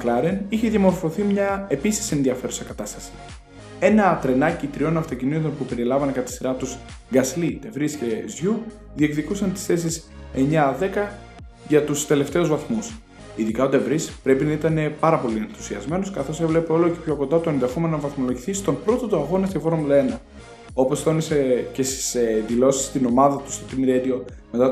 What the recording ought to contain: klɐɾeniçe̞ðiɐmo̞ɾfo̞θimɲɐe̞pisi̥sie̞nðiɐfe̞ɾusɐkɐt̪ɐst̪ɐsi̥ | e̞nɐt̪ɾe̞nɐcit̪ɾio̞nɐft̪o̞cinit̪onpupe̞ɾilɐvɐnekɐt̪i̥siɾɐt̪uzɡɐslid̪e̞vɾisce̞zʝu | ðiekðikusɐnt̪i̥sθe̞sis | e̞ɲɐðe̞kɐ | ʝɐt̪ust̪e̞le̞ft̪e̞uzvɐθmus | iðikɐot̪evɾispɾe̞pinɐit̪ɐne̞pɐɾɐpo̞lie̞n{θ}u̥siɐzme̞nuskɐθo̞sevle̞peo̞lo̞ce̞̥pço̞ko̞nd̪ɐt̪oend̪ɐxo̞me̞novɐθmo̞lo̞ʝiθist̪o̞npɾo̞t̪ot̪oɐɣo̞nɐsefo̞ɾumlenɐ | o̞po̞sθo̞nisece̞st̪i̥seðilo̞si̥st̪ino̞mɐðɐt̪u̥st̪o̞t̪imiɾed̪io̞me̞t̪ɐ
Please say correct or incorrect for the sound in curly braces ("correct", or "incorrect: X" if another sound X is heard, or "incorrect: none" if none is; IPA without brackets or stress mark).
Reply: correct